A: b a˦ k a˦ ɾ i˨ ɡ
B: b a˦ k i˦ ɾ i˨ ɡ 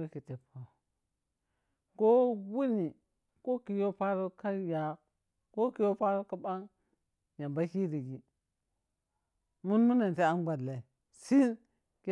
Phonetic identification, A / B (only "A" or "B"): B